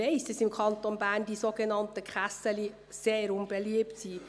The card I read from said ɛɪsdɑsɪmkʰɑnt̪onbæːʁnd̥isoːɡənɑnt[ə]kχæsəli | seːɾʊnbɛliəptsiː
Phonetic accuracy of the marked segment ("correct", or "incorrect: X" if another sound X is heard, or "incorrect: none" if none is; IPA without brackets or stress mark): correct